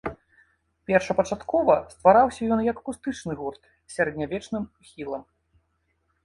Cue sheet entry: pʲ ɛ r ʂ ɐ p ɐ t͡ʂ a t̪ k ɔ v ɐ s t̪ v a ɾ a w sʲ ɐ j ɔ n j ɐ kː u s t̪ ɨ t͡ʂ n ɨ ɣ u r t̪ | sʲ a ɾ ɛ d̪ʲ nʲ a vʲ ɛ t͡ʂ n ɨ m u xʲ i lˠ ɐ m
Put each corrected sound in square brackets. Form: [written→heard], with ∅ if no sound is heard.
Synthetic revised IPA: pʲ ɛ r ʂ ɐ p ɐ t͡ʂ a t̪ k ɔ v ɐ s t̪ v a ɾ a w sʲ ɐ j ɔ n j ɐ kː u s t̪ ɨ t͡ʂ n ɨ ɣ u r t̪ | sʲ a ɾ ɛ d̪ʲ nʲ a vʲ ɛ t͡ʂ n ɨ m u xʲ i lˠ ɐ m